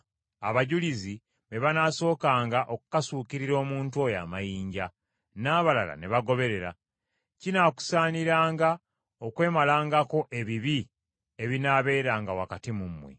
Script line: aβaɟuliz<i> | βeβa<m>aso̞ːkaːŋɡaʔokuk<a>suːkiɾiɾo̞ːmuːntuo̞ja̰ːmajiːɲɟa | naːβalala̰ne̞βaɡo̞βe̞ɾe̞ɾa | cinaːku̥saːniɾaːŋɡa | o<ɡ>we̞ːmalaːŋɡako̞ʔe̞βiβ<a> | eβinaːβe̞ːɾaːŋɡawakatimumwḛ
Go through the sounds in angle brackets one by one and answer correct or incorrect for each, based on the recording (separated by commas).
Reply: correct, incorrect, correct, incorrect, incorrect